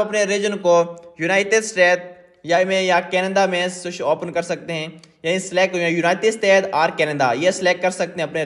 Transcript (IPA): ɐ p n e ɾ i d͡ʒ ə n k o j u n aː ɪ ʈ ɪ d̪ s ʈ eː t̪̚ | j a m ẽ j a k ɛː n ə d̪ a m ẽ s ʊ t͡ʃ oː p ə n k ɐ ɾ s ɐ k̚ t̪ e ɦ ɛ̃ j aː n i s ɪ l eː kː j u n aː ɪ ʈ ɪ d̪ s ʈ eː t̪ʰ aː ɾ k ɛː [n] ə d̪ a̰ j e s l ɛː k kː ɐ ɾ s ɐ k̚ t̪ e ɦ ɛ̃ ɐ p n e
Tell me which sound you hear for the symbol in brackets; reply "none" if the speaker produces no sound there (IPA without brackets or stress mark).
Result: n